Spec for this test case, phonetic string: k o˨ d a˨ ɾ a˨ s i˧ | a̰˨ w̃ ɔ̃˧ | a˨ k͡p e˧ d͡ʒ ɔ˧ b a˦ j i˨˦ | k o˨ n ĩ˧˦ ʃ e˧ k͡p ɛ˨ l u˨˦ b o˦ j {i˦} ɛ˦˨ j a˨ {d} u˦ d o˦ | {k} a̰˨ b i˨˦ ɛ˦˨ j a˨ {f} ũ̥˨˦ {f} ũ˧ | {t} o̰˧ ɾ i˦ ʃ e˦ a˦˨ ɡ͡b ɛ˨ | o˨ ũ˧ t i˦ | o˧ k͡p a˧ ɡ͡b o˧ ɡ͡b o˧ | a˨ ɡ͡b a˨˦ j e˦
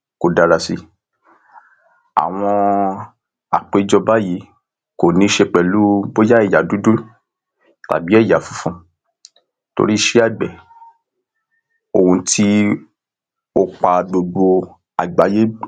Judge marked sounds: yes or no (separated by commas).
no, yes, no, yes, yes, yes